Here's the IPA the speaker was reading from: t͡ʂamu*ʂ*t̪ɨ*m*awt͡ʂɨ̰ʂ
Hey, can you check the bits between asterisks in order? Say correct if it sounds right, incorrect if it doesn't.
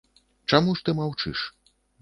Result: correct, correct

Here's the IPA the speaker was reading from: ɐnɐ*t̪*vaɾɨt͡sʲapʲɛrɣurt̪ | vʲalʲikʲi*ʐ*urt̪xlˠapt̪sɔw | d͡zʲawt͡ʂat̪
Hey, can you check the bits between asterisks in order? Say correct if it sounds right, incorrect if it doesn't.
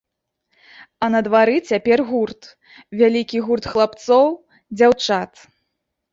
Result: incorrect, incorrect

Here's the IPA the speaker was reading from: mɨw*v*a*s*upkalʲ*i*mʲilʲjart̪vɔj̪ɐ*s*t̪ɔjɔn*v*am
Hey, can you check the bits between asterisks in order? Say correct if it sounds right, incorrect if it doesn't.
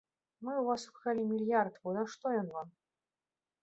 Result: correct, correct, correct, incorrect, correct

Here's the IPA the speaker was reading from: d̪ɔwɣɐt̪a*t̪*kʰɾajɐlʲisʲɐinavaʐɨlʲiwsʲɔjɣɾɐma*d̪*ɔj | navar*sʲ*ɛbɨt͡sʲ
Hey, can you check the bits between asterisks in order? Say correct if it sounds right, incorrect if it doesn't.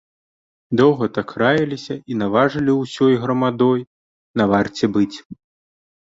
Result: incorrect, correct, incorrect

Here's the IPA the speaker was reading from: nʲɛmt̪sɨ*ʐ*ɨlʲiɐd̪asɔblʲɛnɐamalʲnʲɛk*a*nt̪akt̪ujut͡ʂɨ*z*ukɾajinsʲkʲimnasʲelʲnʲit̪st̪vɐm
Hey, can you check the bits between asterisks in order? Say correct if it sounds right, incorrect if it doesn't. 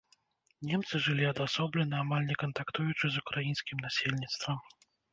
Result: correct, incorrect, correct

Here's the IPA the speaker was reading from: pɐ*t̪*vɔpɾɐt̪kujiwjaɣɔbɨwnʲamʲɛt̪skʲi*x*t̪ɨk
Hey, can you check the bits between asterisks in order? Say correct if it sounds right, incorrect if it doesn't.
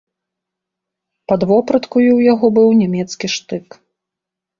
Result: incorrect, incorrect

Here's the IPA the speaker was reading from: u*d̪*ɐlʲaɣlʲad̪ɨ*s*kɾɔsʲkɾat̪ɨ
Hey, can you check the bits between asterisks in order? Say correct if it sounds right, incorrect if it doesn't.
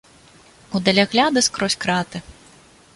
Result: correct, correct

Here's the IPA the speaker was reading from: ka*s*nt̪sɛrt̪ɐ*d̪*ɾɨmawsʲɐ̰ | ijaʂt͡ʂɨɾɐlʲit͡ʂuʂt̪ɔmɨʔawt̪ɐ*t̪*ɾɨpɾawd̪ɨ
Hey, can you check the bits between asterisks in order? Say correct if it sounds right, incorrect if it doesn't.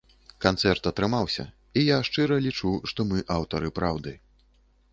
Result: incorrect, incorrect, incorrect

